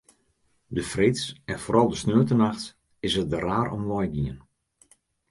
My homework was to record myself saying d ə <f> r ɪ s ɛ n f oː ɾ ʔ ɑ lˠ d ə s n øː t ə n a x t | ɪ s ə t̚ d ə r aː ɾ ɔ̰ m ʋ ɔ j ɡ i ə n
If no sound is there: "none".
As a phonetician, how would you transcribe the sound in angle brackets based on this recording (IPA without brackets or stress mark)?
f